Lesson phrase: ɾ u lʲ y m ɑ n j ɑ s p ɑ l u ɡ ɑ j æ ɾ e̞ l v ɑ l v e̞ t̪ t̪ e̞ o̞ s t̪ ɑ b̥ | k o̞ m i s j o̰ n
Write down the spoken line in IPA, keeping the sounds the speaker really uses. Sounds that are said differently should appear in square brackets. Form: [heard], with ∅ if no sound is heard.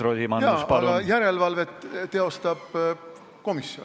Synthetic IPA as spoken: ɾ [o] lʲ [i] m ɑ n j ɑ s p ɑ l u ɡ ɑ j æ ɾ e̞ l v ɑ l v e̞ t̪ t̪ e̞ o̞ s t̪ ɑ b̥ | k o̞ m i s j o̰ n